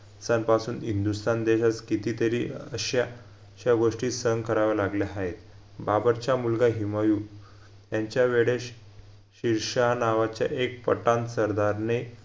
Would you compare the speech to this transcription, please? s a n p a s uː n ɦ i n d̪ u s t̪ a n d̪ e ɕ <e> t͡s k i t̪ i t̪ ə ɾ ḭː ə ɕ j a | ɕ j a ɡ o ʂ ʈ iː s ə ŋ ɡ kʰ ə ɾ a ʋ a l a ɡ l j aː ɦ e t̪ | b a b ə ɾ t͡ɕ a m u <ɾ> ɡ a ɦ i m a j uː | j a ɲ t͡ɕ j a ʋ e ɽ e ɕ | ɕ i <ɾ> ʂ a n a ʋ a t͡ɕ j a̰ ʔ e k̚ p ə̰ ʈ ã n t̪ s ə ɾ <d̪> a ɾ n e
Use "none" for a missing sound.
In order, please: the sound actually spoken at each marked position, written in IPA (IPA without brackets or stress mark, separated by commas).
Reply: a, l, ɾ, d̪